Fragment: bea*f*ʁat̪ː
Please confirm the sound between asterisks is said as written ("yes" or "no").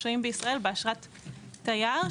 no